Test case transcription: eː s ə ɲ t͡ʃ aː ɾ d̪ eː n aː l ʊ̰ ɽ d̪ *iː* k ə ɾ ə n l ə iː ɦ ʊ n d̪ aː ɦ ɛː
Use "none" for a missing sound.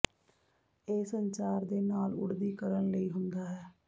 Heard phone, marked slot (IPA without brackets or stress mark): iː